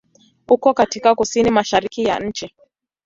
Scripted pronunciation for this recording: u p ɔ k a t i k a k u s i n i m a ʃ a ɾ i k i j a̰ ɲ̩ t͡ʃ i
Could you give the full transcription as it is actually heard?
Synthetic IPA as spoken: u k ɔ k a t i k a k u s i n i m a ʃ a ɾ i k i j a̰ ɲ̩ t͡ʃ i